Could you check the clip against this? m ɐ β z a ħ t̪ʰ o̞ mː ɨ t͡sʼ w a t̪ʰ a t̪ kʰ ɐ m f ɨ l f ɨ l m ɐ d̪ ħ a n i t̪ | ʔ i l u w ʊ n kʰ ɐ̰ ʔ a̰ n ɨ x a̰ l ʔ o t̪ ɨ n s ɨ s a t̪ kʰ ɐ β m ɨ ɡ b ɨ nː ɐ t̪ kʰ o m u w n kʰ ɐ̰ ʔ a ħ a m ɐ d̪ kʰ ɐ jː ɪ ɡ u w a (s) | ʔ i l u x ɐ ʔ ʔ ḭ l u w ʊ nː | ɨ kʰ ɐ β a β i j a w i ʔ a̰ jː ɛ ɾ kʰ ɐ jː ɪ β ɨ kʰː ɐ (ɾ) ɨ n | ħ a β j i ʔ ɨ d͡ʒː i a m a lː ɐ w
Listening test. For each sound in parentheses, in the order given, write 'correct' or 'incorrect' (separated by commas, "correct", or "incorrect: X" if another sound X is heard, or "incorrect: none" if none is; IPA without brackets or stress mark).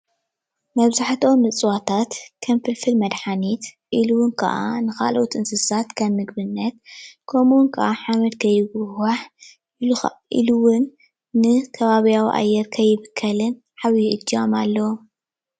incorrect: ħ, incorrect: l